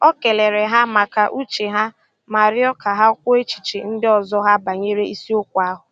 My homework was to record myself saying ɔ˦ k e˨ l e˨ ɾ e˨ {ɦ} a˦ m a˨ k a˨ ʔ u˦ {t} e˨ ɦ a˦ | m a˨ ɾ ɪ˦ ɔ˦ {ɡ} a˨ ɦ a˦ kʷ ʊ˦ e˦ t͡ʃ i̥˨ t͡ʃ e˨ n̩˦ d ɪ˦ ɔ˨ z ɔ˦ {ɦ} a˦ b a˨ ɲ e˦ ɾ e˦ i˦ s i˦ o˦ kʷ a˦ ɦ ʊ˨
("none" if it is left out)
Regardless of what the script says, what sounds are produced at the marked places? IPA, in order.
ɦ, t͡ʃ, k, ɦ

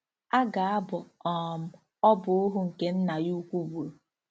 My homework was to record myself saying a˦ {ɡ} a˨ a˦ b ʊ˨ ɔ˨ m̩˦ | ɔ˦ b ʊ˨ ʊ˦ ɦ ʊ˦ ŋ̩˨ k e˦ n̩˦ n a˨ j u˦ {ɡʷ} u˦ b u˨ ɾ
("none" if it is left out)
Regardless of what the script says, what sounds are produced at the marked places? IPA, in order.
ɡ, kʷ

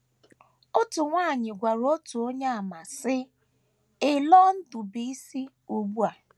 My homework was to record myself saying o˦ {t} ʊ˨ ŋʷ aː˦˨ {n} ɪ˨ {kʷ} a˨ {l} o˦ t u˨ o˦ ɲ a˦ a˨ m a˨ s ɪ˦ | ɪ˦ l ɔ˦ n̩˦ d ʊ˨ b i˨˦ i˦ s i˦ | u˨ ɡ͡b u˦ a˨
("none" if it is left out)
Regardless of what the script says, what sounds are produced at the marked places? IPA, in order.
t, ɲ, ɡʷ, ɾ

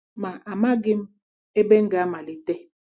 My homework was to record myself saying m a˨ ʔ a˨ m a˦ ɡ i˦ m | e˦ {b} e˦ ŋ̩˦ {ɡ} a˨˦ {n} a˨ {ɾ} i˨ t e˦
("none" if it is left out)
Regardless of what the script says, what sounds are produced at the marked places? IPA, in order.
b, ɡ, m, l

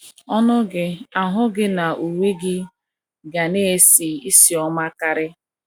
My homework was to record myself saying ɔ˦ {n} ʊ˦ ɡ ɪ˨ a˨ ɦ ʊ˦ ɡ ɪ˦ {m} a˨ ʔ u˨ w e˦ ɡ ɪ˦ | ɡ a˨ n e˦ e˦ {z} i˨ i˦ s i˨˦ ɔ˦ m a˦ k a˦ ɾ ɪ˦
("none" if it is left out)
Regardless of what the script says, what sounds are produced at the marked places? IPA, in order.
n, n, s

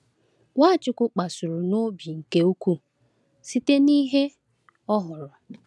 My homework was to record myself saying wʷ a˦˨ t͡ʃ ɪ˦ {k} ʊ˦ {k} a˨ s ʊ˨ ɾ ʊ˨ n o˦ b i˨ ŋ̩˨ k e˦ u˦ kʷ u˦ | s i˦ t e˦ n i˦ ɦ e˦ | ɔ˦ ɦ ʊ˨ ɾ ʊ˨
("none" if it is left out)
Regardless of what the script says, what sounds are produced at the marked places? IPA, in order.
k, k͡p

